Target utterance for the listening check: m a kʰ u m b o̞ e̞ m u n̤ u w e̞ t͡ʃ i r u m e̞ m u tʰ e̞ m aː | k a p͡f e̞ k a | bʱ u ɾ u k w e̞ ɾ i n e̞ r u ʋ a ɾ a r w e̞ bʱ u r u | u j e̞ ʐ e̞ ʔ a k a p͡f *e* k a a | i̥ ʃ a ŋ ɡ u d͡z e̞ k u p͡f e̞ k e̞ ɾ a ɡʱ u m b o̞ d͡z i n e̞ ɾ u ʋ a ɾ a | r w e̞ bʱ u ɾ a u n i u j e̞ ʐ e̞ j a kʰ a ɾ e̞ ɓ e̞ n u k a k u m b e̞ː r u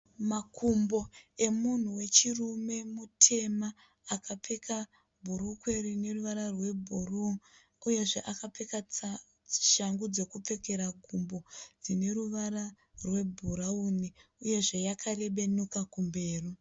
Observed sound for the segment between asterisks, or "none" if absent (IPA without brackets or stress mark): e